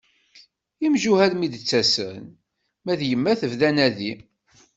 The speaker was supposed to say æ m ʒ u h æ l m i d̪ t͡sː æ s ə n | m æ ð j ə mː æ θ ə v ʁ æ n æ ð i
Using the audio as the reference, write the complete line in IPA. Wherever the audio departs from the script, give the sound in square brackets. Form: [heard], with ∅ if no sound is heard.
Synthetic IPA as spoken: [i] m ʒ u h æ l m i d̪ t͡sː æ s ə n | m æ ð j ə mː æ θ ə v [ð] æ n æ ð i